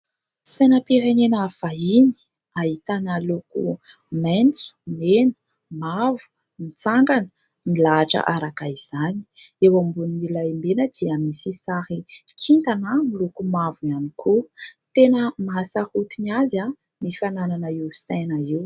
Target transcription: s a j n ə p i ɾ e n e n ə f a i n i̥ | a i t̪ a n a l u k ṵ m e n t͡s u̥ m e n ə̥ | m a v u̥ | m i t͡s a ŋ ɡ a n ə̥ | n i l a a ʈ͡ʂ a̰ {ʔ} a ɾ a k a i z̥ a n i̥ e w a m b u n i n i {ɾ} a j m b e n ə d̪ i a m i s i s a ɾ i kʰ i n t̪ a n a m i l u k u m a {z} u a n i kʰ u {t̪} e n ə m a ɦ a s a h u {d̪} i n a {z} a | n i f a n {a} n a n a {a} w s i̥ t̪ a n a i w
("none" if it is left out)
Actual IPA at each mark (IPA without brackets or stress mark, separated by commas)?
ʔ, l, v, t̪, t̪, z, a, i